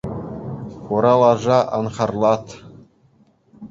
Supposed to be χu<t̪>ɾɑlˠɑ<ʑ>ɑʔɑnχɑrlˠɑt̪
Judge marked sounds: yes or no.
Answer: no, no

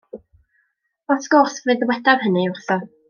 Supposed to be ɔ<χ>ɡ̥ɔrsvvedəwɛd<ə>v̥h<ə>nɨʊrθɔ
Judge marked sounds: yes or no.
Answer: no, no, yes

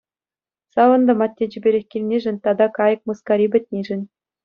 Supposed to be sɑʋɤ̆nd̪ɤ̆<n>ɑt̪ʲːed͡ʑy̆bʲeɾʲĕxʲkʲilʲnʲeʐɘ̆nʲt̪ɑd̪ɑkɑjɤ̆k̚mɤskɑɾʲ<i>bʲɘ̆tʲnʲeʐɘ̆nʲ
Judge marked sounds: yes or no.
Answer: no, yes

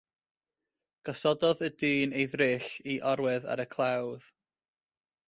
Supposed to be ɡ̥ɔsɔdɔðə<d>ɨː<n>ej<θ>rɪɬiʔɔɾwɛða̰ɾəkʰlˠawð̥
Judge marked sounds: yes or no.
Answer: yes, yes, no

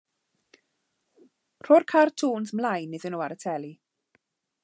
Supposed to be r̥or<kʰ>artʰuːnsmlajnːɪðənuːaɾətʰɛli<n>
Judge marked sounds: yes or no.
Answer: yes, no

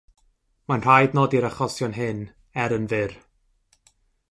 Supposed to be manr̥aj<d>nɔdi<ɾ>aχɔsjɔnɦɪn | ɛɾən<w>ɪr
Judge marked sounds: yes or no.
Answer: yes, yes, no

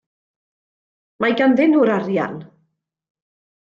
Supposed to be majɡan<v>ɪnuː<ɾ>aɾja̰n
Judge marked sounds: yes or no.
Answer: no, yes

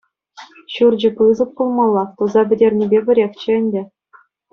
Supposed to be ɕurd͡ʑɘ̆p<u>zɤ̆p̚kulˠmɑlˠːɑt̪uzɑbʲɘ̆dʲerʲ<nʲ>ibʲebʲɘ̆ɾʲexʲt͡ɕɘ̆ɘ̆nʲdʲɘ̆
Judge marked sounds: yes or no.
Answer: no, yes

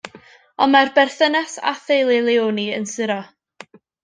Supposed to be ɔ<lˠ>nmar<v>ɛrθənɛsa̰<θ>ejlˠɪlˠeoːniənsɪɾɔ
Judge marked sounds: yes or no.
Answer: no, no, yes

